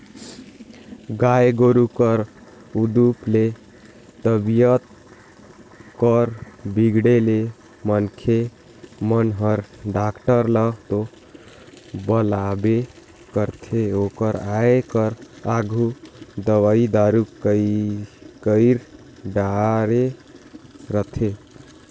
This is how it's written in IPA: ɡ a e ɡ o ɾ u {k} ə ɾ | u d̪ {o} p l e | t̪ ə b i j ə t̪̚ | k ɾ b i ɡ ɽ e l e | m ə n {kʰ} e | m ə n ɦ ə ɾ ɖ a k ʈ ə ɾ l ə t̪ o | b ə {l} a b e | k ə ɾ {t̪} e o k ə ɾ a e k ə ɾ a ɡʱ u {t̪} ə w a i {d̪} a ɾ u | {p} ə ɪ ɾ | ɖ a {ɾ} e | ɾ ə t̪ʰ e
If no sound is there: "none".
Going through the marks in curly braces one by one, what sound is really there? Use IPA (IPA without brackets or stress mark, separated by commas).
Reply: k, u, kʰ, l, t̪ʰ, d̪, d̪, k, ɾ